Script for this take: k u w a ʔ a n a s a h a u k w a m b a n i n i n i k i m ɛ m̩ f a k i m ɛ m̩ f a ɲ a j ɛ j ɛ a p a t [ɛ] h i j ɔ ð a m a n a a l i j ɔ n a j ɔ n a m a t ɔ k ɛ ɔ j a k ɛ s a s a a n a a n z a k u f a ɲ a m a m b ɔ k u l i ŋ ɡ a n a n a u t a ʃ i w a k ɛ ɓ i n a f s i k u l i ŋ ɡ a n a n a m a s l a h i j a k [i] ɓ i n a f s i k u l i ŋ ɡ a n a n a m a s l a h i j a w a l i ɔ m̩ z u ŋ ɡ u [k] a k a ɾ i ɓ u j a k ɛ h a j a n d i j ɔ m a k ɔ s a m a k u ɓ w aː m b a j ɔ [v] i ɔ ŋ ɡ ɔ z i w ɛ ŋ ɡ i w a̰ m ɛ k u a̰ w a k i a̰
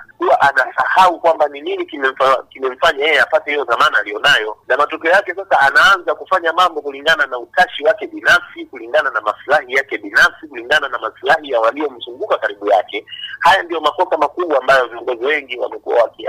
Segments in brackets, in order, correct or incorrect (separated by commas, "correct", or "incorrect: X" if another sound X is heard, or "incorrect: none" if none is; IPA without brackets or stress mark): correct, incorrect: ɛ, correct, correct